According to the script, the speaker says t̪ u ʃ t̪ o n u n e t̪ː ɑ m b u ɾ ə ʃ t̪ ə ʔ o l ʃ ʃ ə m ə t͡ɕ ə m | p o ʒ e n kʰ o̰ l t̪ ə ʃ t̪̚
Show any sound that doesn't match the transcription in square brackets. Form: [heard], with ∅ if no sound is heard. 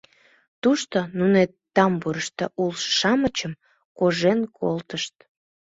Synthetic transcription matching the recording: t̪ u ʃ t̪ o n u n e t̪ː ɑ m b u ɾ ə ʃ t̪ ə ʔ [u] l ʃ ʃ [ɑ] m ə t͡ɕ ə m | [k] o ʒ e n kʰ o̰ l t̪ ə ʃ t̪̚